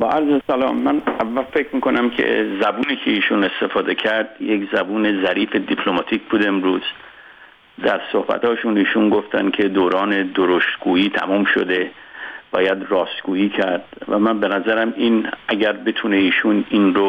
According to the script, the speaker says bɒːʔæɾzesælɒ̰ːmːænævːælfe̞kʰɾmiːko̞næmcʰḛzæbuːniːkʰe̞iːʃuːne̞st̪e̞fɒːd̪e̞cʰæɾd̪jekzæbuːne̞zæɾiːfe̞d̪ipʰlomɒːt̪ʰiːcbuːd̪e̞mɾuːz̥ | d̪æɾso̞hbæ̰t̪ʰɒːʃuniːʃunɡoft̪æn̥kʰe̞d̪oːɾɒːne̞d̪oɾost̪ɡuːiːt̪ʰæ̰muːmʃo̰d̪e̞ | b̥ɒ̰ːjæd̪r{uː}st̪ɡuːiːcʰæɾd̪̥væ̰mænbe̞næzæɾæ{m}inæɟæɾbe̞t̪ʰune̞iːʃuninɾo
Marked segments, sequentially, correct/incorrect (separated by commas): incorrect, correct